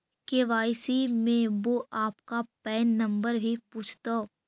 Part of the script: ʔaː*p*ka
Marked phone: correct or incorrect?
correct